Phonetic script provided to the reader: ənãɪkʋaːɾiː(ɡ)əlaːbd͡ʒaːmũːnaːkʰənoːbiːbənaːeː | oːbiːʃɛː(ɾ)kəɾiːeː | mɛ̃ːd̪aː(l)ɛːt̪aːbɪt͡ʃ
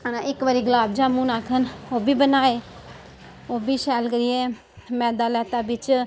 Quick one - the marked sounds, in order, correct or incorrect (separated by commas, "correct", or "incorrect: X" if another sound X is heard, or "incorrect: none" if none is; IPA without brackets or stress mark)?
correct, incorrect: l, correct